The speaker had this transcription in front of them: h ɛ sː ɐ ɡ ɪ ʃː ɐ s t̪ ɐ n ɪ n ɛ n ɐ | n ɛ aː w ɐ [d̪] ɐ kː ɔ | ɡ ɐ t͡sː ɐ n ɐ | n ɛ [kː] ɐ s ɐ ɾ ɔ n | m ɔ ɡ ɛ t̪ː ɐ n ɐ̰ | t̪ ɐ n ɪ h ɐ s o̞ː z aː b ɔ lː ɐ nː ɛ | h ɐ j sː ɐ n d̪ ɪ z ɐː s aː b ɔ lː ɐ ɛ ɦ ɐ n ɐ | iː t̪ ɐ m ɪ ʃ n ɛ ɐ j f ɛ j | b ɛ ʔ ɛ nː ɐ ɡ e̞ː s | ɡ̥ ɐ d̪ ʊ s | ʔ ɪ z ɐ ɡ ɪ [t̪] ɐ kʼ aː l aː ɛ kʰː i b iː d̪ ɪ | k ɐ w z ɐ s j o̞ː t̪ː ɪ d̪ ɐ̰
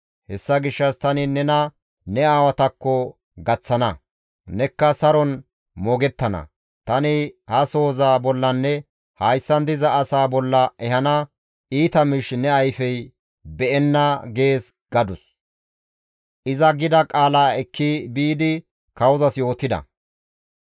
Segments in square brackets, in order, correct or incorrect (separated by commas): incorrect, correct, incorrect